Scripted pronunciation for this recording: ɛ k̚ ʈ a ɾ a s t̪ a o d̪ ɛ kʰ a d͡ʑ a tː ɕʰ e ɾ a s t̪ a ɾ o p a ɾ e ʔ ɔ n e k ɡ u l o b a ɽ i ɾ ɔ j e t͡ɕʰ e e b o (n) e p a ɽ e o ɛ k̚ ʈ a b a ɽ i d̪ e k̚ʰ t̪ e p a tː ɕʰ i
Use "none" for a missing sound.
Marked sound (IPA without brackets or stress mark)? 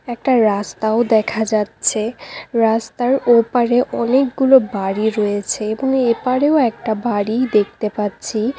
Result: ŋ